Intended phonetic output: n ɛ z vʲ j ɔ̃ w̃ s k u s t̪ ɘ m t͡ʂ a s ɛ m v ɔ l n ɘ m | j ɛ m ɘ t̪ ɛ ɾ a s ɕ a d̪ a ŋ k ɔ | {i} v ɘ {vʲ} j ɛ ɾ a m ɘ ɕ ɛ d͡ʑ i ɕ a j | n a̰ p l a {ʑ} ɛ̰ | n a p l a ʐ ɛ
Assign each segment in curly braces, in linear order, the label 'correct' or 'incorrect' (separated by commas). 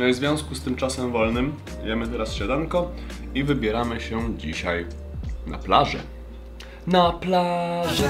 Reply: correct, incorrect, incorrect